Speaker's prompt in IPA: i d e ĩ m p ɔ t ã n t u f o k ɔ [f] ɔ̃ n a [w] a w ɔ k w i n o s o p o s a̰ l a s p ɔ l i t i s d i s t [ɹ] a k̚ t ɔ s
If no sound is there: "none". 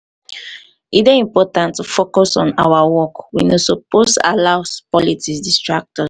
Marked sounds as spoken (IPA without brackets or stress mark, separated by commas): s, w, ɹ